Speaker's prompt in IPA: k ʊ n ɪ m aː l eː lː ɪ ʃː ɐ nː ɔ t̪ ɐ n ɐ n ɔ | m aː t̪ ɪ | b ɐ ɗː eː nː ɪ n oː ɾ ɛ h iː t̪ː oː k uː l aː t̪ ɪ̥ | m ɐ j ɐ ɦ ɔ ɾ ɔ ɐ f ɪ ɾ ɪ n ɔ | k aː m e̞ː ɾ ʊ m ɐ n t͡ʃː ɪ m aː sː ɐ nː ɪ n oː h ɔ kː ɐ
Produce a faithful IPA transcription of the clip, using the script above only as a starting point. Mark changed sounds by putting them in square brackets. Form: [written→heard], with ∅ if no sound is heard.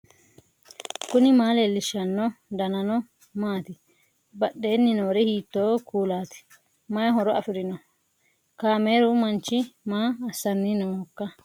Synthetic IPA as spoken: k ʊ n ɪ m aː l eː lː ɪ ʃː ɐ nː ɔ [t̪→d̪] ɐ n ɐ n ɔ | m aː t̪ ɪ | b ɐ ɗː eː nː ɪ n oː ɾ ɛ h iː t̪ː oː k uː l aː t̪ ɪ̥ | m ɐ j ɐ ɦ ɔ ɾ ɔ ɐ f ɪ ɾ ɪ n ɔ | k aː m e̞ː ɾ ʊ m ɐ n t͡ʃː ɪ m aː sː ɐ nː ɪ n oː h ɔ kː ɐ